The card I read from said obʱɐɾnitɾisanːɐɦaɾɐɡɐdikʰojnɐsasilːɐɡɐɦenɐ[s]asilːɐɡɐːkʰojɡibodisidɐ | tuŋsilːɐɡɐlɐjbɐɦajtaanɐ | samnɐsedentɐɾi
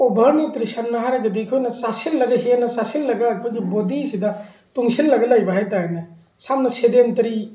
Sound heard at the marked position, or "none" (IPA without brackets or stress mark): s